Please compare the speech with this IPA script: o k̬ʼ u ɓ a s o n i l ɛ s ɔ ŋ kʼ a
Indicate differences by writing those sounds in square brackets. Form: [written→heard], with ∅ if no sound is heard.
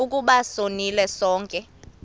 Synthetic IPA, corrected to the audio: [o→u] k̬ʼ u ɓ a s o n i l ɛ s [ɔ→ɔː] ŋ kʼ [a→ɛ]